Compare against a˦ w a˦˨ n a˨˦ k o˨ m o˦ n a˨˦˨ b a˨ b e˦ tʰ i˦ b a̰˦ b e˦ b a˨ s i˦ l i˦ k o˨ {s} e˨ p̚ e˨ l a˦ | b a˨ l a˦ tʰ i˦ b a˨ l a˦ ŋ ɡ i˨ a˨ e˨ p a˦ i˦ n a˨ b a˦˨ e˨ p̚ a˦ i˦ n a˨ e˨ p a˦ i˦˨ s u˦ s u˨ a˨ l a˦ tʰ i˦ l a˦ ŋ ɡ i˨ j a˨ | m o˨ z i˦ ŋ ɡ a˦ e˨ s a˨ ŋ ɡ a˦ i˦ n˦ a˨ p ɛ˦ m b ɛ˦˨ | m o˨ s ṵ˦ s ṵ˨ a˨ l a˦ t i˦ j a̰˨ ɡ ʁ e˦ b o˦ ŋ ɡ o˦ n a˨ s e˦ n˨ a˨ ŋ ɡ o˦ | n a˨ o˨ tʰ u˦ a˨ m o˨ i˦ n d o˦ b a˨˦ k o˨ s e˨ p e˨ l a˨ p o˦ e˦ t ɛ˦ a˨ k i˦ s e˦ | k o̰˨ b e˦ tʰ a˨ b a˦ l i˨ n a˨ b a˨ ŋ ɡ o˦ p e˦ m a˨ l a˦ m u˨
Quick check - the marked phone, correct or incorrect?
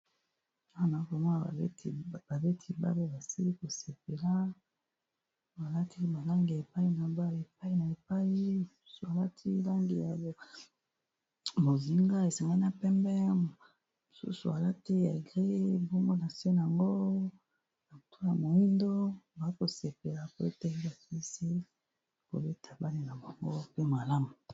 correct